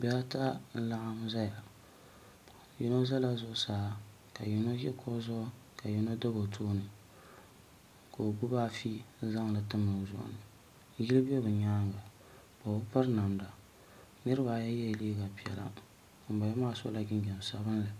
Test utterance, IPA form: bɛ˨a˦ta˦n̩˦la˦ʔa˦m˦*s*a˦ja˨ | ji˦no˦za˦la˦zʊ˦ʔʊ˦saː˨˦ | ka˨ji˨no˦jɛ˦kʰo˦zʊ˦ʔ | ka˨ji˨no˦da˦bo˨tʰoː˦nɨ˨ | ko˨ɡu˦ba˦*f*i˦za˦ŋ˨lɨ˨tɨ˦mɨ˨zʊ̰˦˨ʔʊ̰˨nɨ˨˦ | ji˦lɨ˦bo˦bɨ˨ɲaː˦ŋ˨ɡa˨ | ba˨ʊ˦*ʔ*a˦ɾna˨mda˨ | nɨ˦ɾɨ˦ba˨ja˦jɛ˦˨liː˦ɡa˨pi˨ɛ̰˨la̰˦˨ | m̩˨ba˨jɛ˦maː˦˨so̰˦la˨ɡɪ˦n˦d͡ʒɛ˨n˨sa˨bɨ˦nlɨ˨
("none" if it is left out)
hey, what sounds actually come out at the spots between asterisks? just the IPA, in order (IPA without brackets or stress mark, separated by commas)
z, f, p